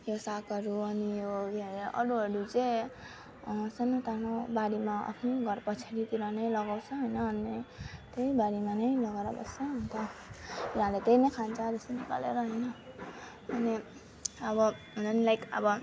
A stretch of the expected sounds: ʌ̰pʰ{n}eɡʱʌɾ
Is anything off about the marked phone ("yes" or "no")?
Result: no